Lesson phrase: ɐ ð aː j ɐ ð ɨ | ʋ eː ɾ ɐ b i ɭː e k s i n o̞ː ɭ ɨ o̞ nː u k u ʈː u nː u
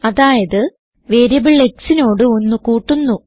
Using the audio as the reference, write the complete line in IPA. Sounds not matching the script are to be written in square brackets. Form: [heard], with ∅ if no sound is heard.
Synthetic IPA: ɐ ð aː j ɐ ð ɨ | ʋ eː ɾ ɐ b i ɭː e k s i n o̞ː [ɽ] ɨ o̞ nː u k [uː] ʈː u nː u